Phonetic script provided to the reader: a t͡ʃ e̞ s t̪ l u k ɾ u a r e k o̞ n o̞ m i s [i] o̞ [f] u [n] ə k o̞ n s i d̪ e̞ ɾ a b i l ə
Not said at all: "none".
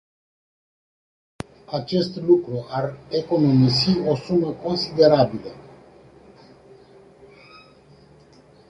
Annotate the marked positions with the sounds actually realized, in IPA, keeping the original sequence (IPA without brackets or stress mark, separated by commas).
i, s, m